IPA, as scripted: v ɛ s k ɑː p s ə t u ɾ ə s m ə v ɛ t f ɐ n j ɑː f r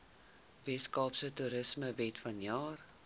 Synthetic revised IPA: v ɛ s k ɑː p s ə t u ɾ ə s m ə v ɛ t f ɐ n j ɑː r